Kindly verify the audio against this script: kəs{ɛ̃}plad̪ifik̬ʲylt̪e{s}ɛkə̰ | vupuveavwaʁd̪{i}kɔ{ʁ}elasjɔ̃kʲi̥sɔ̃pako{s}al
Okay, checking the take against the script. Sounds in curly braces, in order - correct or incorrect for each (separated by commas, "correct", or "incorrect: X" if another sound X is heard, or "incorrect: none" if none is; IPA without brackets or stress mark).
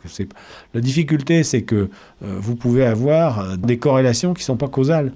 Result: incorrect: ɛ, correct, incorrect: e, correct, incorrect: z